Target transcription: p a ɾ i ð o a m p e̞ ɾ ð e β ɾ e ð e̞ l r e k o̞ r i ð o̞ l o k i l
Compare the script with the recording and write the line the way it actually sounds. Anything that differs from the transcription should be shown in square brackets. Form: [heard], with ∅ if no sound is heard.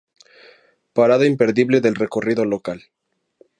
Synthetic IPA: p a ɾ [a] ð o [i] m p e̞ ɾ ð [i] β [l] e ð e̞ l r e k o̞ r i ð o̞ l o k [a] l